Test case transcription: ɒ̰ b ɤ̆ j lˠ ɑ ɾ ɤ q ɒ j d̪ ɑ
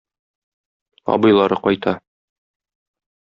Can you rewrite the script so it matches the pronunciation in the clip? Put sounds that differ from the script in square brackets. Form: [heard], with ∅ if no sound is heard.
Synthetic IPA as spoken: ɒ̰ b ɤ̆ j lˠ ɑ ɾ ɤ q ɒ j [t̪] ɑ